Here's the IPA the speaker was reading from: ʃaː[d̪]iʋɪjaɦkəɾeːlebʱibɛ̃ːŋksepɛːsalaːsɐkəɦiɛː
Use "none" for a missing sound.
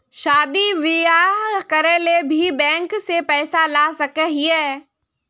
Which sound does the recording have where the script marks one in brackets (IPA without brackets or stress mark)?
d̪